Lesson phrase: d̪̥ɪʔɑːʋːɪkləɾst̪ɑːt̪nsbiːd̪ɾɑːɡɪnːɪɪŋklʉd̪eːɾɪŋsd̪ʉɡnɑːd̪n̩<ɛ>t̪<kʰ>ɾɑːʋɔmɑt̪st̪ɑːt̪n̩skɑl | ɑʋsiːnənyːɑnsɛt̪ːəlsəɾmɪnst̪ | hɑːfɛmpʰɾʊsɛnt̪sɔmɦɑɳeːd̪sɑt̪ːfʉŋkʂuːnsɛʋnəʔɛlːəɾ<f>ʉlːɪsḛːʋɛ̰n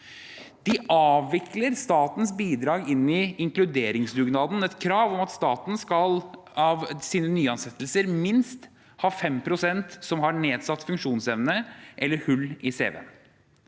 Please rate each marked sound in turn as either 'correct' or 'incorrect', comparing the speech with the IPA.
correct, correct, incorrect

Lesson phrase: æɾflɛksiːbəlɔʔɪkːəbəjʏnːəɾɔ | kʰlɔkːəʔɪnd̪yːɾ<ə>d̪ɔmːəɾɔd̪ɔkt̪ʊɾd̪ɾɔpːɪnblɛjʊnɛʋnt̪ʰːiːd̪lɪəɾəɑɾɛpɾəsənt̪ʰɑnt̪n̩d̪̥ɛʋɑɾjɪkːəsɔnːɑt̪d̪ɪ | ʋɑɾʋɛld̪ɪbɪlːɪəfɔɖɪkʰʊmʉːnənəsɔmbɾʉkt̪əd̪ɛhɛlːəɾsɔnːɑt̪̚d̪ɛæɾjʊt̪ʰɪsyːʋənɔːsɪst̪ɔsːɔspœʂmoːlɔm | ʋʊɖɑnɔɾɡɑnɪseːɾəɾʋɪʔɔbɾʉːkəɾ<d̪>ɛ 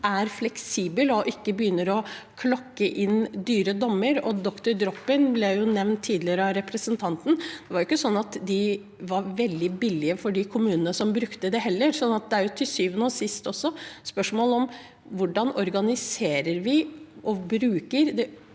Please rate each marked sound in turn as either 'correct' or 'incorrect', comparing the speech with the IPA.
correct, correct

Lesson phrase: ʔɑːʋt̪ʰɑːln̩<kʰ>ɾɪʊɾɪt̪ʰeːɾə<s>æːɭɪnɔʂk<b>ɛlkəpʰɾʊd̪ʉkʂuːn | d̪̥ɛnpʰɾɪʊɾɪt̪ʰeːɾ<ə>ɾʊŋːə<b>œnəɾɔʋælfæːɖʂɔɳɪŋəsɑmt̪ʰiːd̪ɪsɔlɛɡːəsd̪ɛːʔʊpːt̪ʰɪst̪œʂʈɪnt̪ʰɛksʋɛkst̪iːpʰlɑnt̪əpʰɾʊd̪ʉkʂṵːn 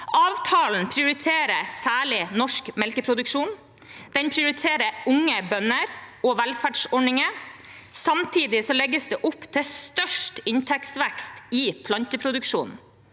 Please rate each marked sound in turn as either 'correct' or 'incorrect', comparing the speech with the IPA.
incorrect, correct, incorrect, correct, correct

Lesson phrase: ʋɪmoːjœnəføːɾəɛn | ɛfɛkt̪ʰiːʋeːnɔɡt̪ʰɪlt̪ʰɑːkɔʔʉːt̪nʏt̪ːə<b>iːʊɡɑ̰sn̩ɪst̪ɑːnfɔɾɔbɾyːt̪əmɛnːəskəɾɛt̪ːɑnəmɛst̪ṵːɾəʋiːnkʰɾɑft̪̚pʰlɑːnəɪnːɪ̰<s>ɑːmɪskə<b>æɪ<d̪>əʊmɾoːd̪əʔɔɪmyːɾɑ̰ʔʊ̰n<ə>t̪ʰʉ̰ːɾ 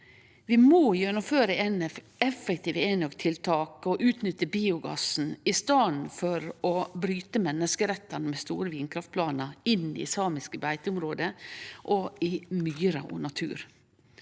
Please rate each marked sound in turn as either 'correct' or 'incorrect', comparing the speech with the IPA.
correct, correct, correct, incorrect, incorrect

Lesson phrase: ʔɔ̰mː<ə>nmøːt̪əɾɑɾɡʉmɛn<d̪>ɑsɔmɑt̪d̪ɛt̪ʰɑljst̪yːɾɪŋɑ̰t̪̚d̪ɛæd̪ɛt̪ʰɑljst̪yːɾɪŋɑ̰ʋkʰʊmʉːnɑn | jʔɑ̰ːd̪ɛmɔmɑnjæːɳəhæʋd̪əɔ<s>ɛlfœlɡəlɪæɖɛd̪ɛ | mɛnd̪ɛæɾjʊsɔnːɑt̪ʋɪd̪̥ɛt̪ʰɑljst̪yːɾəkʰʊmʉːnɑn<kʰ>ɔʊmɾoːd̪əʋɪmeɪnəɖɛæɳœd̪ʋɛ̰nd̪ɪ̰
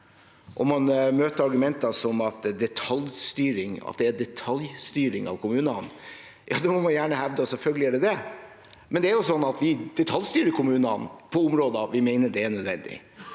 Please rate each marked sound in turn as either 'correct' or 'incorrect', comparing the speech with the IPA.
incorrect, incorrect, correct, incorrect

